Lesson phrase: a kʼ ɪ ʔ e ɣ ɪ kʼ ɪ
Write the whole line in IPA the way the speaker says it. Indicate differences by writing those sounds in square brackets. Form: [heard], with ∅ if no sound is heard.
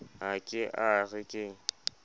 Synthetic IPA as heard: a kʼ ɪ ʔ [a] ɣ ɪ kʼ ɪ

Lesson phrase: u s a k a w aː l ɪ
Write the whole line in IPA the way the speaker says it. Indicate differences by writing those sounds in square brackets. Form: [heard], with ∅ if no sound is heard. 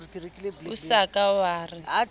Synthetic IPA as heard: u s a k a w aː [r] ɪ

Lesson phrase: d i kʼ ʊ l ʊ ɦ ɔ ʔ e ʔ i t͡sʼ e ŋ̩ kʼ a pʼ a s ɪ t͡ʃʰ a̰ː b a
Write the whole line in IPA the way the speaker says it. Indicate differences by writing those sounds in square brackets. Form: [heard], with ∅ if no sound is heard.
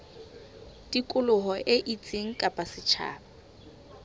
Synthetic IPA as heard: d i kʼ ʊ l ʊ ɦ ɔ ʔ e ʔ i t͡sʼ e ŋ̩ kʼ a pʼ a s ɪ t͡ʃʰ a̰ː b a

